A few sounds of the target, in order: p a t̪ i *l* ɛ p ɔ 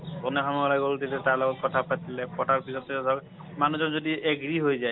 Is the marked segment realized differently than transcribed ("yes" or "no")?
no